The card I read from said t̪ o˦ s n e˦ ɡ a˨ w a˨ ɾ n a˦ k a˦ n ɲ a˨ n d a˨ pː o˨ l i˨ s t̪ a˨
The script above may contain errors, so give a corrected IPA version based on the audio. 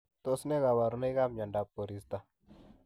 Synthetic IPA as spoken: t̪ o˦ s n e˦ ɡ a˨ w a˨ ɾ n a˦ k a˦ m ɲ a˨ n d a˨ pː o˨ ɾ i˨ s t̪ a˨